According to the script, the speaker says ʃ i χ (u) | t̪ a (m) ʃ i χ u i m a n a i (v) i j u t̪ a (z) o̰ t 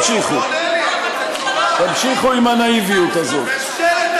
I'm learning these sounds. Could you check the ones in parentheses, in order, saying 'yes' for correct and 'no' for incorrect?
yes, yes, yes, yes

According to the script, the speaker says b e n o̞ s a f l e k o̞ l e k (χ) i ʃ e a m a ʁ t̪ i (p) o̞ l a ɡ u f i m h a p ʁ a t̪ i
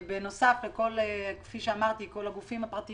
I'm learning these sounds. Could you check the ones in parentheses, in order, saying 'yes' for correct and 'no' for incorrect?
no, no

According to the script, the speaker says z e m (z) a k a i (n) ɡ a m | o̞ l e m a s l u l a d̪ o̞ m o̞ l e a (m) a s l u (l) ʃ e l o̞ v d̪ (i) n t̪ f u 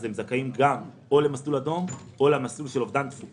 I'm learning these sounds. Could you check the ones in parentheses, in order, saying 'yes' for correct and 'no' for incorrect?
yes, no, yes, yes, no

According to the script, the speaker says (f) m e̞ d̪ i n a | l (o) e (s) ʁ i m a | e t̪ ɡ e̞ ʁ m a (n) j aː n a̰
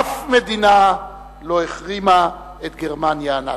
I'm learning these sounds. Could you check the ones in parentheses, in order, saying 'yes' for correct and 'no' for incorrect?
yes, yes, no, yes

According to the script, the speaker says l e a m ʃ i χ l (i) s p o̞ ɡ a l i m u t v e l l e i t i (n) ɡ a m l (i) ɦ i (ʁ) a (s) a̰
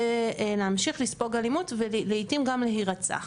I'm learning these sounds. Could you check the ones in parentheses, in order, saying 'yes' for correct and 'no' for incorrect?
yes, no, no, yes, no

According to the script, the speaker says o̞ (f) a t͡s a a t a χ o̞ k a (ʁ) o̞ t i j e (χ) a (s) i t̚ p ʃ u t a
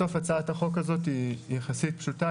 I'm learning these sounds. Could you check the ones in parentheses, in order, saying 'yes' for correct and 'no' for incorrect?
yes, no, yes, yes

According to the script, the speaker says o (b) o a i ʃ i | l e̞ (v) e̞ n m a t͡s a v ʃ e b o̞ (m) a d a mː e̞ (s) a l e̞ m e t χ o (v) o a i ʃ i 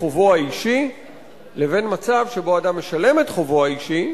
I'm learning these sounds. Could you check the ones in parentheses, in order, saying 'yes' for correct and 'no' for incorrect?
no, yes, no, no, yes

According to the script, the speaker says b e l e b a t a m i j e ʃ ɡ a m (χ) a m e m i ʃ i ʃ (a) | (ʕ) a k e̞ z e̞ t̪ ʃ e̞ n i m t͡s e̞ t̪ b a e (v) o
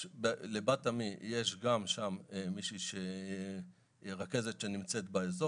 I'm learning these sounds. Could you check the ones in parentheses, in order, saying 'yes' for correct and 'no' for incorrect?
no, no, no, no

